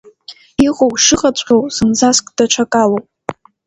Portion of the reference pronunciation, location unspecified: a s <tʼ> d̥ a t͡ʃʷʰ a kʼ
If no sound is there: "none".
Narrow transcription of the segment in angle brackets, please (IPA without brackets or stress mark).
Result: kʼ